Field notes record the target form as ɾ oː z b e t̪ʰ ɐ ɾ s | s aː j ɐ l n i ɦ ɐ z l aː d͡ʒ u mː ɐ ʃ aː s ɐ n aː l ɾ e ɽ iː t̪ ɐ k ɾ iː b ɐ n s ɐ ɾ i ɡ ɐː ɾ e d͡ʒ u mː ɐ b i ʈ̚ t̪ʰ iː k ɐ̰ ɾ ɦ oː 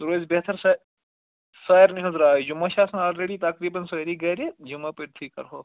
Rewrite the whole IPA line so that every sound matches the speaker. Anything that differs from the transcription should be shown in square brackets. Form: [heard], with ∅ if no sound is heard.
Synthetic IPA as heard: ɾ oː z b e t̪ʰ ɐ ɾ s | s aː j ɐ [ɾ] n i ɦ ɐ z [ɾ] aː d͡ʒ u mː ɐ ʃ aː s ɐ n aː l ɾ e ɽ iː t̪ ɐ k ɾ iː b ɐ n s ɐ ɾ i ɡ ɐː ɾ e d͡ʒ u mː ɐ [p] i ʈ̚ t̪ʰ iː k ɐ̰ ɾ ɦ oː